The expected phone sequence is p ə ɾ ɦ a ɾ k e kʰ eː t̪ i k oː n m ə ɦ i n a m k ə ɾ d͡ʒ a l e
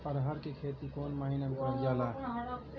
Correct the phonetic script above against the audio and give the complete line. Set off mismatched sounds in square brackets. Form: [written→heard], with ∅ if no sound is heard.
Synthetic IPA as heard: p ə ɾ ɦ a ɾ k e kʰ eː t̪ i k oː n m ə ɦ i n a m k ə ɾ d͡ʒ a l [e→a]